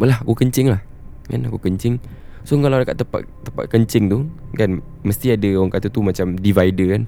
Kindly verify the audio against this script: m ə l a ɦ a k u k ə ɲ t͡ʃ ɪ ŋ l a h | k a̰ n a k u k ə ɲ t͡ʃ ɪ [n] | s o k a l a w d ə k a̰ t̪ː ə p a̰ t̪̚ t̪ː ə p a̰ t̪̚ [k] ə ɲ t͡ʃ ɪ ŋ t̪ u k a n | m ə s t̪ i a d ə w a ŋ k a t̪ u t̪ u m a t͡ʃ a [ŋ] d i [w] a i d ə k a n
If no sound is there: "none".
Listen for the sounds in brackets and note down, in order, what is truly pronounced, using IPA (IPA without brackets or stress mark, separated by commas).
ŋ, k, m, v